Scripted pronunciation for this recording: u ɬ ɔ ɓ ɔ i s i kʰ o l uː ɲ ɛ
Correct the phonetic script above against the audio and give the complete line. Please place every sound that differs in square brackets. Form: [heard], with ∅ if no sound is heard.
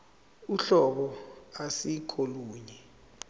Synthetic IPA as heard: u ɬ ɔ ɓ ɔ [a] s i kʰ o l uː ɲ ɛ